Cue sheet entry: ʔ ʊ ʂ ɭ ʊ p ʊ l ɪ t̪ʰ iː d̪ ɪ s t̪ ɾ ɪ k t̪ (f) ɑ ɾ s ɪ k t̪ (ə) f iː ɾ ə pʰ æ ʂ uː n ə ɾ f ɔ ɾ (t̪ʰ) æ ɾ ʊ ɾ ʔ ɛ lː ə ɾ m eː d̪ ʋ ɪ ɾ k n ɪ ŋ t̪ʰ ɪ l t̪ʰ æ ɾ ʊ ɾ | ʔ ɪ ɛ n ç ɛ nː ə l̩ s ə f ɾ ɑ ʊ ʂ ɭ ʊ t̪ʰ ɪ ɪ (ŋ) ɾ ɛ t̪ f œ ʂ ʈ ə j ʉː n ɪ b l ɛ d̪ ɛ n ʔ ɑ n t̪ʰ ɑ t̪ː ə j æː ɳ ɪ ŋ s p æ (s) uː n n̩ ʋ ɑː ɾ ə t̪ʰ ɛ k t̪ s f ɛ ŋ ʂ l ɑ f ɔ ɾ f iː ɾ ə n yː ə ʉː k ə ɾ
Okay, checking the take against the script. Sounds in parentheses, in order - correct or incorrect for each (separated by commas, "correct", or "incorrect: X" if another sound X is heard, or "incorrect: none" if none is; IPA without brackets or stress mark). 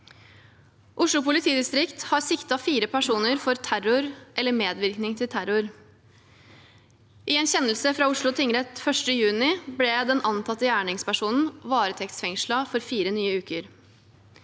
incorrect: h, incorrect: ɑ, correct, correct, incorrect: ʂ